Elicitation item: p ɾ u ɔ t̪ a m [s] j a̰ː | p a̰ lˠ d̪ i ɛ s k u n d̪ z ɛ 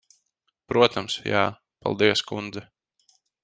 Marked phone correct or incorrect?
correct